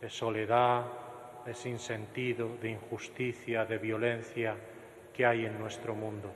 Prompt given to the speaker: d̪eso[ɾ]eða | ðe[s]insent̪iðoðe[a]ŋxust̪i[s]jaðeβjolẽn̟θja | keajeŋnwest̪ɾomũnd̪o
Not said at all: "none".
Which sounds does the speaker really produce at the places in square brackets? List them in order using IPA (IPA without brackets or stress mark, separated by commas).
l, s, i, θ